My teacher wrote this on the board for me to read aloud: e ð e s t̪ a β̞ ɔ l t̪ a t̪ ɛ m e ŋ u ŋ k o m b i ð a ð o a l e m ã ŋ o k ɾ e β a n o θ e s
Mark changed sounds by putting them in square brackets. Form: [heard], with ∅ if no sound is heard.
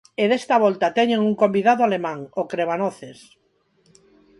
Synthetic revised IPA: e ð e s t̪ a β̞ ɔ l t̪ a t̪ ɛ [ɲ] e ŋ u ŋ k o m b i ð a ð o a l e m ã ŋ o k ɾ e β a n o θ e s